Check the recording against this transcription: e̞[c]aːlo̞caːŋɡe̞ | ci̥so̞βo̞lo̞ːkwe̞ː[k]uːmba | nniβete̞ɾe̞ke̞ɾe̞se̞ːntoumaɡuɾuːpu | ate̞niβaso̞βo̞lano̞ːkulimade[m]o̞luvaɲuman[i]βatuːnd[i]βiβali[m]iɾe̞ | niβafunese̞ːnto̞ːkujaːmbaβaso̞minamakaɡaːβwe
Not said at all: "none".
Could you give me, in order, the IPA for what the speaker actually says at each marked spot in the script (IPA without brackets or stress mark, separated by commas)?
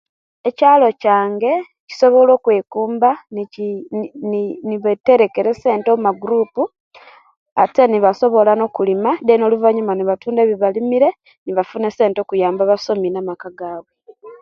c, k, n, i, e, m